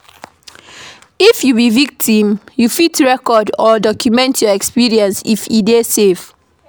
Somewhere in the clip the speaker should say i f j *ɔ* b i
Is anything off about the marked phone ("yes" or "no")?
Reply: yes